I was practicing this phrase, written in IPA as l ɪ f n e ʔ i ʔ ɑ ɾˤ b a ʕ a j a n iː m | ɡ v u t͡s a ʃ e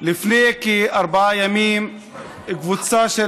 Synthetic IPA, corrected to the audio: l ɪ f n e k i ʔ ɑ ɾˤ b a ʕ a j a m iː m | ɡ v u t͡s a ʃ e